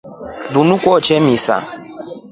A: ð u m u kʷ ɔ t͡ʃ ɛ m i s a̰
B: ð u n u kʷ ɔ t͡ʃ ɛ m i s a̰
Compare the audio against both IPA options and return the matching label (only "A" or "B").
B